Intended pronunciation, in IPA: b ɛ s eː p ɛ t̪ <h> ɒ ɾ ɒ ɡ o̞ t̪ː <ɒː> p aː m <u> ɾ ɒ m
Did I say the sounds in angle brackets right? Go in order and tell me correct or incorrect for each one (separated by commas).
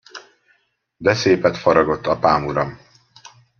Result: incorrect, incorrect, correct